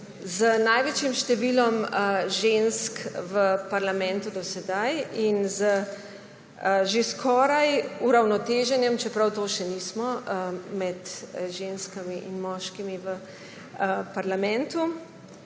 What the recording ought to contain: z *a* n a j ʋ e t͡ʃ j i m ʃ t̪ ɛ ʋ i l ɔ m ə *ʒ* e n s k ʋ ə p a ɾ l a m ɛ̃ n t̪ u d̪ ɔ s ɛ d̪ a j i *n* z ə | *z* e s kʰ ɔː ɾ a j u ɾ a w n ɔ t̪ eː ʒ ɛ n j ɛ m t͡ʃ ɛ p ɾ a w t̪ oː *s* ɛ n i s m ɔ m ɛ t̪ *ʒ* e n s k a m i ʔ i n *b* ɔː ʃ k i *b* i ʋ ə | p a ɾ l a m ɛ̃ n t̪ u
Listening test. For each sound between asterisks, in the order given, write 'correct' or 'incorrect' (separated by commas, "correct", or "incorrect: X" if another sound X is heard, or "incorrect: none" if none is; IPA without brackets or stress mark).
incorrect: ə, correct, correct, incorrect: ʒ, incorrect: ʃ, correct, incorrect: m, incorrect: m